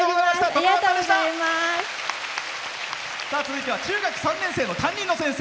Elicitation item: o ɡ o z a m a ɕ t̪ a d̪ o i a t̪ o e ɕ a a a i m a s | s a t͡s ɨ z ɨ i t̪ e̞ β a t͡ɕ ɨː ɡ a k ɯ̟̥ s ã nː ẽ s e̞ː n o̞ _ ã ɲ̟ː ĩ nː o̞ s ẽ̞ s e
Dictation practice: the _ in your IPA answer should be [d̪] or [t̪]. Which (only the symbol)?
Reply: t̪